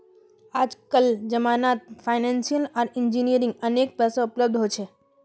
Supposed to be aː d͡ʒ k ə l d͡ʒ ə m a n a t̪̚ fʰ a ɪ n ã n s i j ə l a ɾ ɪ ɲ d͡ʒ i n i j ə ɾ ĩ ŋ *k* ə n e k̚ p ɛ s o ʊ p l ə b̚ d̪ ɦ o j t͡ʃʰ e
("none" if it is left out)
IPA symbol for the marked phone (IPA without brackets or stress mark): ɡ